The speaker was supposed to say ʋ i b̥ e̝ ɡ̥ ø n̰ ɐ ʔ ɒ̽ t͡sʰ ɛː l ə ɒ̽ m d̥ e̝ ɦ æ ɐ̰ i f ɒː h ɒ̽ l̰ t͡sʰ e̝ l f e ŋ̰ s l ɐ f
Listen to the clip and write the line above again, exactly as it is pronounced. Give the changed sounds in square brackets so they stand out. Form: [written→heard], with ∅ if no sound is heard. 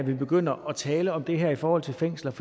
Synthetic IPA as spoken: ʋ i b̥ e̝ ɡ̥ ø n̰ ɐ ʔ ɒ̽ t͡sʰ ɛː l ə ɒ̽ m d̥ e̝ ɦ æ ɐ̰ i f ɒː h ɒ̽ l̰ t͡sʰ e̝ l f e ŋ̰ s l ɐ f

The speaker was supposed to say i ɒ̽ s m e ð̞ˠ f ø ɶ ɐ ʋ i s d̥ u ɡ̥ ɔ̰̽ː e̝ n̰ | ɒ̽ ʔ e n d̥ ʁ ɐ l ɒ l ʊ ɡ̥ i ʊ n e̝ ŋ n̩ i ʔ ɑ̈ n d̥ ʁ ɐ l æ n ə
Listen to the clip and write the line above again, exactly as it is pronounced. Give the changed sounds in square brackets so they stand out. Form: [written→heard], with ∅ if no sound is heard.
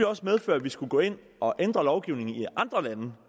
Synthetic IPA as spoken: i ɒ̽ s m e ð̞ˠ f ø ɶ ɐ ʋ i s [d̥→ɡ̥] u ɡ̥ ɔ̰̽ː e̝ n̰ | ɒ̽ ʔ e n d̥ ʁ ɐ l ɒ [l→∅] ʊ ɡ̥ i ʊ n e̝ ŋ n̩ i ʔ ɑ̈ n d̥ ʁ ɐ l æ n ə

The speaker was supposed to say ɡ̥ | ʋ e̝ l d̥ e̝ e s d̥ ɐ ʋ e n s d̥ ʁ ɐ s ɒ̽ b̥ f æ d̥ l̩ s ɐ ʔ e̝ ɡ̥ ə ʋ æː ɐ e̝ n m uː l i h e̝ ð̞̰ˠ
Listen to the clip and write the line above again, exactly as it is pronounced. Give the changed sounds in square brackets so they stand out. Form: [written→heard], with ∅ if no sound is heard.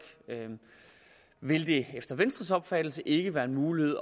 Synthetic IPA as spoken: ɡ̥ | ʋ e̝ l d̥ e̝ e [s→f] d̥ ɐ ʋ e n s d̥ ʁ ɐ s ɒ̽ b̥ f æ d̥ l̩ s [ɐ→ə] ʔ e̝ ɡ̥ ə ʋ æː ɐ e̝ n m uː l i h e̝ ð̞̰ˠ

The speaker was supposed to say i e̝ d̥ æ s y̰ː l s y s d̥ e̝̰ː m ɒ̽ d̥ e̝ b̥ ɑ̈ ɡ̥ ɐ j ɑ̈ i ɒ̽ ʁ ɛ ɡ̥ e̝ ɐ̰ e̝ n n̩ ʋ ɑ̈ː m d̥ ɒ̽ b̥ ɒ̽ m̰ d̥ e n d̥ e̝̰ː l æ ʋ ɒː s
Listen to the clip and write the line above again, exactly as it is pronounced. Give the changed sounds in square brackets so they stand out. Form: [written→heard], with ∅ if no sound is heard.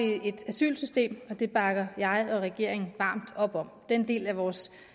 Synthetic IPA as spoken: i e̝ d̥ æ s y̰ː l s y s d̥ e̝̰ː m ɒ̽ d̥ e̝ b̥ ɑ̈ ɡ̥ ɐ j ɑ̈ [i→ɪ] ɒ̽ ʁ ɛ ɡ̥ e̝ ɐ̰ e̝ [n→ŋ] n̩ ʋ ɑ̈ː m d̥ ɒ̽ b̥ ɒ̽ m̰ d̥ e n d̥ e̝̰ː l æ ʋ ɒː s

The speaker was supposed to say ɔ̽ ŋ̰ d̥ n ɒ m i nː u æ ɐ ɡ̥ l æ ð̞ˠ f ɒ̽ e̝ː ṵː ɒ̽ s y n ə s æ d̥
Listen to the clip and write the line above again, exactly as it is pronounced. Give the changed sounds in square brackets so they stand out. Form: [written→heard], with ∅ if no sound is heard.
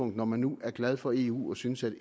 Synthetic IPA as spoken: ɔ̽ ŋ̰ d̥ n ɒ m [i→æ] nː u æ ɐ ɡ̥ l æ ð̞ˠ f ɒ̽ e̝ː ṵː ɒ̽ s y n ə s æ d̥

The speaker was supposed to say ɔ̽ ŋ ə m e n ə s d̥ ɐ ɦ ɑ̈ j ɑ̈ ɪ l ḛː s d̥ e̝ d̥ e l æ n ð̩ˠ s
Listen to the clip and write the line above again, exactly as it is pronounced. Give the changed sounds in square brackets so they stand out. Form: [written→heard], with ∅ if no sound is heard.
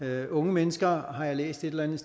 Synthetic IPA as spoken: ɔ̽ ŋ ə m e n ə s [d̥→ɡ̥] ɐ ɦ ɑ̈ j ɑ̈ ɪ l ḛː s d̥ e̝ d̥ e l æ n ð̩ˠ s

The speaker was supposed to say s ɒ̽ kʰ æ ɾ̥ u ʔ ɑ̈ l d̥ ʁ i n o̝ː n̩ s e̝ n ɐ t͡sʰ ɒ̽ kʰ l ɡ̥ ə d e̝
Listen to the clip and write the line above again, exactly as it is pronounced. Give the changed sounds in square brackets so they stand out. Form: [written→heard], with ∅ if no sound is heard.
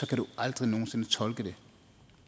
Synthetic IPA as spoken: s ɒ̽ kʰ æ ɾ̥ u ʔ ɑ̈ l d̥ ʁ i n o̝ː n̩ s e̝ n [ɐ→ə] t͡sʰ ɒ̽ [kʰ→∅] l ɡ̥ ə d e̝

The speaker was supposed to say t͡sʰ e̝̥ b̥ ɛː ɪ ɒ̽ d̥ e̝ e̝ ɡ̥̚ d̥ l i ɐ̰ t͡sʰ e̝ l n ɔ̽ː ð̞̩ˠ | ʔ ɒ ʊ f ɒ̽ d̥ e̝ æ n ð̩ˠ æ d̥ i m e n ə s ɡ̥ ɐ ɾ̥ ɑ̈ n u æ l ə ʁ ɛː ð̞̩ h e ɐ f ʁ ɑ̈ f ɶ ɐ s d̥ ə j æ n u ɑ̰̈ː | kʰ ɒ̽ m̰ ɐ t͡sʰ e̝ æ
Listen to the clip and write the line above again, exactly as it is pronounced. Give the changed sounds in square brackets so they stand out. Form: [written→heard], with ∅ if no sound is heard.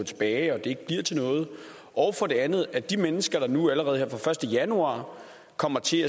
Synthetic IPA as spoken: t͡sʰ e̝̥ b̥ ɛː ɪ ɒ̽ d̥ e̝ e̝ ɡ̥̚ [d̥→b̥] l i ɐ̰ t͡sʰ e̝ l n ɔ̽ː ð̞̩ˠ | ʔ ɒ ʊ f ɒ̽ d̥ e̝ æ n ð̩ˠ æ d̥ i m e n ə s ɡ̥ ɐ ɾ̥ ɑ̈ n u æ l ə ʁ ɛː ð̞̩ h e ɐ f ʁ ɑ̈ f ɶ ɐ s d̥ ə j æ n u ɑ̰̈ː | kʰ ɒ̽ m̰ ɐ t͡sʰ e̝ æ

